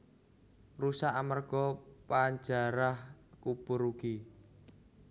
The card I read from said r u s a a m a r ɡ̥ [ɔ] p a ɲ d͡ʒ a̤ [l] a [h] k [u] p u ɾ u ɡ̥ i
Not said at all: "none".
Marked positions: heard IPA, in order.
ɔ, ɾ, h, u

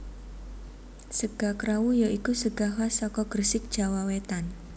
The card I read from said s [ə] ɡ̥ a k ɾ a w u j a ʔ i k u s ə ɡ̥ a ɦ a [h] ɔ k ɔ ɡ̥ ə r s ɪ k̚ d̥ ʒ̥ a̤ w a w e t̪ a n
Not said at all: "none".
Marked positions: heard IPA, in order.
ə, s

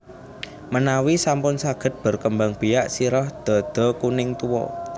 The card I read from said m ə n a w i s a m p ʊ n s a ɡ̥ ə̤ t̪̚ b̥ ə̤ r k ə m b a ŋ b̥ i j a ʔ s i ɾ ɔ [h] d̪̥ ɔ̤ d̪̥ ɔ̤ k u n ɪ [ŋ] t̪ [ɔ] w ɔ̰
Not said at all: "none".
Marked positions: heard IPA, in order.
h, ŋ, u

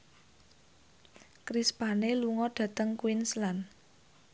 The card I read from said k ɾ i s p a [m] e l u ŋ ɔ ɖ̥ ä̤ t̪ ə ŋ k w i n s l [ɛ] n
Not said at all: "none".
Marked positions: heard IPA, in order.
n, a

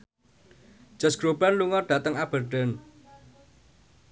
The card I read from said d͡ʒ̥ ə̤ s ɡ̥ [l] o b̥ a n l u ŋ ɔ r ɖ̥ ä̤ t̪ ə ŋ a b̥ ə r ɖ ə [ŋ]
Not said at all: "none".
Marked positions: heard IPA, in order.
ɾ, n

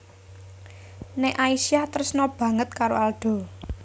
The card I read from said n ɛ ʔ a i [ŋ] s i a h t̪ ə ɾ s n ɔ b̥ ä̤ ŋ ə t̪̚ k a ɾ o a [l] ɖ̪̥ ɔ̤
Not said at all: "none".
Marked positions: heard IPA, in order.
none, l

